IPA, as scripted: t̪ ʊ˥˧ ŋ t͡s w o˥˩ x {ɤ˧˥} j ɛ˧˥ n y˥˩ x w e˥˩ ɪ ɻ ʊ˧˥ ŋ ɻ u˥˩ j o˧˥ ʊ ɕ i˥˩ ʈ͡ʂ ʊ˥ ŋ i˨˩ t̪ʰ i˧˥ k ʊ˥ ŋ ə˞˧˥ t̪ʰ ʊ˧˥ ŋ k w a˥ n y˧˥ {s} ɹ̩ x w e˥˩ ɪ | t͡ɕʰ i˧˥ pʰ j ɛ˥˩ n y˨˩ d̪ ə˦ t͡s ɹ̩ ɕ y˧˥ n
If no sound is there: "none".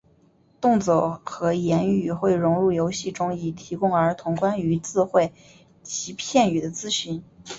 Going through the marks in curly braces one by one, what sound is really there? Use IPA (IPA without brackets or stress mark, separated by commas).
ɤ˧˥, t͡s